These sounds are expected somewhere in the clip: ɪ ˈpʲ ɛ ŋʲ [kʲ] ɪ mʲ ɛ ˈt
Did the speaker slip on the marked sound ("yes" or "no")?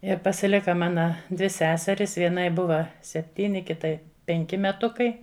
no